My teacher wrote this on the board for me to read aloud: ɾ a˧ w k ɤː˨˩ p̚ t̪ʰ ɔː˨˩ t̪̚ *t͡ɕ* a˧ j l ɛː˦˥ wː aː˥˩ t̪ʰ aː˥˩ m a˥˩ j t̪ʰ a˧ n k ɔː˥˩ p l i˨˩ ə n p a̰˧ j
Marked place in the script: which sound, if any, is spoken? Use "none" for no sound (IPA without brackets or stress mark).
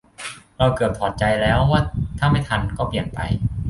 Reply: t͡ɕ